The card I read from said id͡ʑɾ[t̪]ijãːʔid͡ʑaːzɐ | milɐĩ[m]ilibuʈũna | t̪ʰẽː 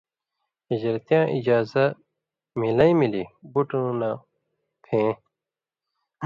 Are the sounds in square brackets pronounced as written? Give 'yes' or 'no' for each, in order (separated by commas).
yes, yes